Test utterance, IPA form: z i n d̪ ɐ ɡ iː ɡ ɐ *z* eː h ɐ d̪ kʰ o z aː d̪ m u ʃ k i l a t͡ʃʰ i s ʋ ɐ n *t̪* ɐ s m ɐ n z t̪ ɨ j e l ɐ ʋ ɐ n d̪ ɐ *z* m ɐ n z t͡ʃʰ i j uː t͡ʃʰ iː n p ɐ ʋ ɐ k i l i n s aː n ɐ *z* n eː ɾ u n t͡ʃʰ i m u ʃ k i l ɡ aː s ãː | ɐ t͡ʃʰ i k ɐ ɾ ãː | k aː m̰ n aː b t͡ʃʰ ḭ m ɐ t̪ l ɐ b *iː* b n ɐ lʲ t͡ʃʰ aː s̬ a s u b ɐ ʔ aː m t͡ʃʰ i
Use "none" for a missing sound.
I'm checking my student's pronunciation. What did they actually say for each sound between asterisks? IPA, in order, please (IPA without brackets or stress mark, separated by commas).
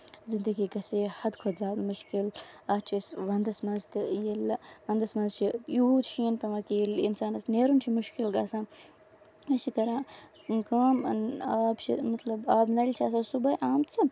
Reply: s, d̪, s, s, aː